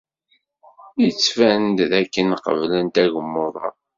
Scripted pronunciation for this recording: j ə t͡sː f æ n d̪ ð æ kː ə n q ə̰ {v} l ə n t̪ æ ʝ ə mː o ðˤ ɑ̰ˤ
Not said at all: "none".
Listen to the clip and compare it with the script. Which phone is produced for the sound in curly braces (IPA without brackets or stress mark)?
v